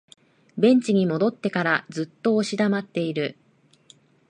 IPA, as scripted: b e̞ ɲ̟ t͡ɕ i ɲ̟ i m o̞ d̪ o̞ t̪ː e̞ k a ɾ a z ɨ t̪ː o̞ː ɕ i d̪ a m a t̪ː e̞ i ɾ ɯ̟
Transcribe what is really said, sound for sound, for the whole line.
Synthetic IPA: b ẽ̞ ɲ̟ t͡ɕ i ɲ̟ i m o̞ d̪ o̞ t̪ː e̞ k a ɾ a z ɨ t̪ː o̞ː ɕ i d̪ a m a t̪ː e̞ i ɾ ɯ̟